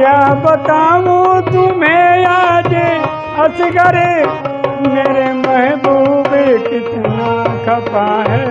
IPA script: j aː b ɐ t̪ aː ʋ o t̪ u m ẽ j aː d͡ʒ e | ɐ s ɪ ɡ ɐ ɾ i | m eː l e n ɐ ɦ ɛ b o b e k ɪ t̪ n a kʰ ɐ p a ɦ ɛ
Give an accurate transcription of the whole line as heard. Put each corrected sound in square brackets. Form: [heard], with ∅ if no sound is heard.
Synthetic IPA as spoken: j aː b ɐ t̪ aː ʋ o t̪ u m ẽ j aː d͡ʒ e | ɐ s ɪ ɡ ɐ ɾ [e] | m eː [ɾ] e [m] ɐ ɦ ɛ b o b e k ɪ t̪ n a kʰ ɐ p a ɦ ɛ